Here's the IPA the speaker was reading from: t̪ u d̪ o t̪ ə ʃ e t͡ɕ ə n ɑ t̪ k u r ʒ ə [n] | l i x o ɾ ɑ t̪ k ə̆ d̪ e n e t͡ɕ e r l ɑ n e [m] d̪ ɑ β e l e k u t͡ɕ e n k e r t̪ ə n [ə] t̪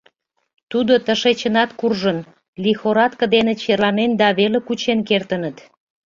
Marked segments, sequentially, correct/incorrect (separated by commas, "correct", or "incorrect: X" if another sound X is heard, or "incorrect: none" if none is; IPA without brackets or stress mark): correct, incorrect: n, correct